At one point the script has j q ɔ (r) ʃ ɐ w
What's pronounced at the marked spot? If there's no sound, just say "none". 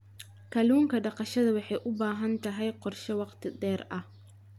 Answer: r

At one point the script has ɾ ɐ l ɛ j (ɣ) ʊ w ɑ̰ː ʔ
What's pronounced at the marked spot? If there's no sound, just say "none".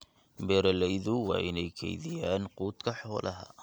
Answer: ð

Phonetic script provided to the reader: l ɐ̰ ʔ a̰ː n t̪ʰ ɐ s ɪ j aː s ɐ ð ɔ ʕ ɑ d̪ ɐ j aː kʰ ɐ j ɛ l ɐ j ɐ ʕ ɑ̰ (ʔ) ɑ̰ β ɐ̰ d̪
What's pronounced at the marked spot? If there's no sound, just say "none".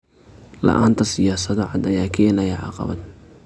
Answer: q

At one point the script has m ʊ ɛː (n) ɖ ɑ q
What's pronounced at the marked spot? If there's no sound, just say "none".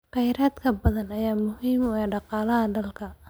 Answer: none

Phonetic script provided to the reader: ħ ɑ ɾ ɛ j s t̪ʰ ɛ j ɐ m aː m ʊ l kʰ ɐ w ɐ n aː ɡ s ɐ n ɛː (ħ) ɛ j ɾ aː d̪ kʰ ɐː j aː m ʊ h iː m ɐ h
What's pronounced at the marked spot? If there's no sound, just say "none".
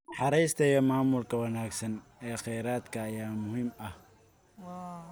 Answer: χ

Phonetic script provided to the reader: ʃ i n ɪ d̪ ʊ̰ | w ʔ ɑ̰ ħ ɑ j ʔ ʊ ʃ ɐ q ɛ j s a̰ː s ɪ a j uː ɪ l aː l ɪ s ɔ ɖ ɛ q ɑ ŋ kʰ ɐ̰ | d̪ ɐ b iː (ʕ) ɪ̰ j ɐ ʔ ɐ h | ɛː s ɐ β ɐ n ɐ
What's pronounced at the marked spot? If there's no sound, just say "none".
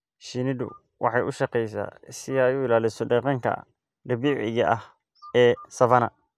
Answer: ʕ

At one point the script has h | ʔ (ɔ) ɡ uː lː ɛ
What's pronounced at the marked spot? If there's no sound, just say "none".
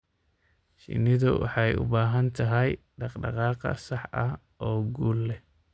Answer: ɔː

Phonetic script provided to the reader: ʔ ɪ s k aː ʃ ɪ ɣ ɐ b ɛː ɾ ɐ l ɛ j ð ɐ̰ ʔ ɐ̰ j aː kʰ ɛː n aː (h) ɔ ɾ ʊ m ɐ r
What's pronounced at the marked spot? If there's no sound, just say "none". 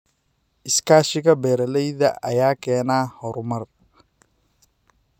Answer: h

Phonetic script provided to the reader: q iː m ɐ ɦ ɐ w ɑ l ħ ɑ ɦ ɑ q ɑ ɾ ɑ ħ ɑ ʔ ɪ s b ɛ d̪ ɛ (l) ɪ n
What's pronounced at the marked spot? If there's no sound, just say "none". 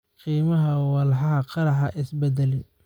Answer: l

